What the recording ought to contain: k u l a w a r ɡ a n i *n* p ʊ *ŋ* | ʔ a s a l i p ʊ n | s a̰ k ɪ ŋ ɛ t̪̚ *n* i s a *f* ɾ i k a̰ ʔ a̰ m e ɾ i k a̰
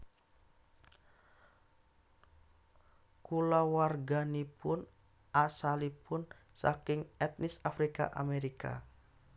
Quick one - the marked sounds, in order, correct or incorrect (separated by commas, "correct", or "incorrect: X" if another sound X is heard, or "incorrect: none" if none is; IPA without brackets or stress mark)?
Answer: incorrect: none, incorrect: n, correct, correct